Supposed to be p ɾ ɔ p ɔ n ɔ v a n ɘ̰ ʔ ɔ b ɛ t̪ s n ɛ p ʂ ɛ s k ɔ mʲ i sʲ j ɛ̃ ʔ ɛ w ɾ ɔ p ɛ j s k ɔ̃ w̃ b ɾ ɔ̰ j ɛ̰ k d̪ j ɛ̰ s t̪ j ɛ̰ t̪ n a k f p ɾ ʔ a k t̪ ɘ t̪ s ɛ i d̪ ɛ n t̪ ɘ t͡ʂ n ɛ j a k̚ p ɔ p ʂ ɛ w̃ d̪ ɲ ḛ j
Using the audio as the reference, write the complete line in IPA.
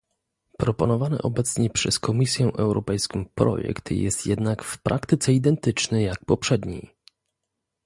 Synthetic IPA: p ɾ ɔ p ɔ n ɔ v a n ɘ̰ ʔ ɔ b ɛ t̪ s ɲ ɛ p ʂ ɛ s k ɔ mʲ i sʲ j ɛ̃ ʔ ɛ w ɾ ɔ p ɛ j s k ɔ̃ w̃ p ɾ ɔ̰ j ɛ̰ k t̪ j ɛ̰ s t̪ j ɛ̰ d̪ n a k f p ɾ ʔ a k t̪ ɘ t̪ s ɛ i d̪ ɛ n t̪ ɘ t͡ʂ n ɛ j a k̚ p ɔ p ʂ ɛ d̪ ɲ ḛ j